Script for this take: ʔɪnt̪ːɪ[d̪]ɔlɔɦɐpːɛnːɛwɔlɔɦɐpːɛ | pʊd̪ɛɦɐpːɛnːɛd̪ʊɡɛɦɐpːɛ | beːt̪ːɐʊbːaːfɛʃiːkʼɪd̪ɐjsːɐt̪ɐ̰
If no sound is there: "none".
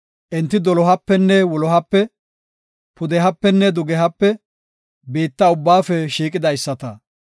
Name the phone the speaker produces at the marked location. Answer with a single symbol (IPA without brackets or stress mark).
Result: d̪